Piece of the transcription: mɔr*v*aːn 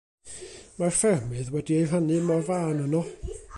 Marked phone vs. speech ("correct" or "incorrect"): correct